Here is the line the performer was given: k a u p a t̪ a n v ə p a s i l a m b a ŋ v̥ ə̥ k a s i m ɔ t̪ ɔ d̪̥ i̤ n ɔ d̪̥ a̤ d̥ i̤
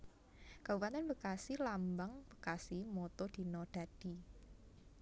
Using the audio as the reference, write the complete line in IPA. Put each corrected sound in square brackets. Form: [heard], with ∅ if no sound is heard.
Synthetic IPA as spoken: k a u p a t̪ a n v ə [k] a s i l a m b a ŋ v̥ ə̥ k a s i m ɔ t̪ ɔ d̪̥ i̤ n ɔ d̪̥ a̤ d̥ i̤